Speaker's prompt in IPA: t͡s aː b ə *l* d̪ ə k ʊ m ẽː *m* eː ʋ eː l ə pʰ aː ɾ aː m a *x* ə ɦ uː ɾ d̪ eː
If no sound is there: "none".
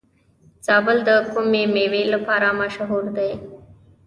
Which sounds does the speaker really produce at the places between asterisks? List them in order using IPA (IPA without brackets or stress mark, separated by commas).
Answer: l, m, ʃ